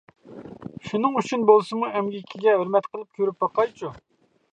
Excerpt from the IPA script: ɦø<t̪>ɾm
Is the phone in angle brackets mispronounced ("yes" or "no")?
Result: yes